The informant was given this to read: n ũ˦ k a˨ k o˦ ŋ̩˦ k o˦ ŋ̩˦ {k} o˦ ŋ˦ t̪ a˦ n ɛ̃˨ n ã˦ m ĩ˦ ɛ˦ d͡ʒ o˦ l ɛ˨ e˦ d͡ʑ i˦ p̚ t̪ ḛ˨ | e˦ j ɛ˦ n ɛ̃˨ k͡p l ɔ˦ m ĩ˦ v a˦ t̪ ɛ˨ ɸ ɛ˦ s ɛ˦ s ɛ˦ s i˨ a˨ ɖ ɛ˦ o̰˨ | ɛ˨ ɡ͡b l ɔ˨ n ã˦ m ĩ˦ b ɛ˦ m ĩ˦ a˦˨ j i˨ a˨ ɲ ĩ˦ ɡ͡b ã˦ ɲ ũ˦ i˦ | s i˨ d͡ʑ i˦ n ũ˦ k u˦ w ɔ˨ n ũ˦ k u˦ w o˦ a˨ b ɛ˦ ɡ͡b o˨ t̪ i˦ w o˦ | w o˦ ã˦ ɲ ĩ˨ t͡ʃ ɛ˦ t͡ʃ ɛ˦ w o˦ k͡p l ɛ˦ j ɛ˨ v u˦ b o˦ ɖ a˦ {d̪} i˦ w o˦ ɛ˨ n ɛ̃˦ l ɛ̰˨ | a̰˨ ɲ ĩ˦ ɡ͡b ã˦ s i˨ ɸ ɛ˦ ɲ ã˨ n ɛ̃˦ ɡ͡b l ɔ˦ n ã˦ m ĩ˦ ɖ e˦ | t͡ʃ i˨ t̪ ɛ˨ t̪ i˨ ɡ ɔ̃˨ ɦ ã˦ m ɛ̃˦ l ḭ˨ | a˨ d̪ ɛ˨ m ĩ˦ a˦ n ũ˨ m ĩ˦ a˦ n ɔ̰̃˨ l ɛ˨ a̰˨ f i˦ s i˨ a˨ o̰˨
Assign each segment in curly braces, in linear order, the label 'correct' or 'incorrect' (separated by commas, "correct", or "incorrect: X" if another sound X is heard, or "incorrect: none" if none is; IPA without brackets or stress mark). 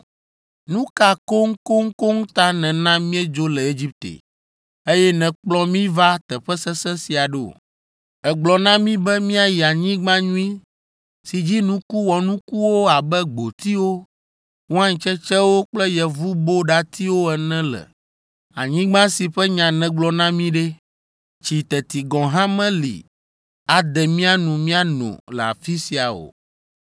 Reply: correct, incorrect: t̪